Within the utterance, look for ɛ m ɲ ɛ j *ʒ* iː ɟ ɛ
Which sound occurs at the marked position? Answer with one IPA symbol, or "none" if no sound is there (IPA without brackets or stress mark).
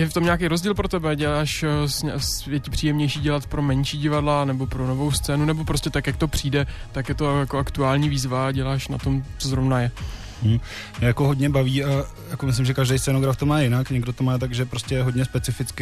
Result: ʃ